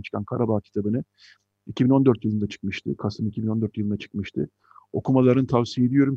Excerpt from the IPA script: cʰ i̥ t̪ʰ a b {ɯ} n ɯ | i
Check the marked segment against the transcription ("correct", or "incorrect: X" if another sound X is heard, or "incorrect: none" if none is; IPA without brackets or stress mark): correct